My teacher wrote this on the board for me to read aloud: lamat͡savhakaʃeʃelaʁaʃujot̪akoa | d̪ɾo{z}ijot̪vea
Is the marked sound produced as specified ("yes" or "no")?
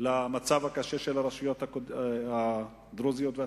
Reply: yes